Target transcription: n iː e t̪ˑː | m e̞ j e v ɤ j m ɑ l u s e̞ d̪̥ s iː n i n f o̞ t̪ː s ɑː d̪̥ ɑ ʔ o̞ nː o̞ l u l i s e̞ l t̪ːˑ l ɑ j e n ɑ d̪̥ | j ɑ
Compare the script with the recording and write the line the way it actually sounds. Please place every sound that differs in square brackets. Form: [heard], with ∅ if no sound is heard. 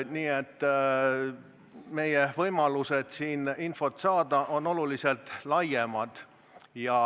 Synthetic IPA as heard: n iː e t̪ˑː | m e̞ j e v ɤ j m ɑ l u s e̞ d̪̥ s iː n i n f o̞ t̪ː s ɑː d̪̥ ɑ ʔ o̞ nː o̞ l u l i s e̞ l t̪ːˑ l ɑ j e [m] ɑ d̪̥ | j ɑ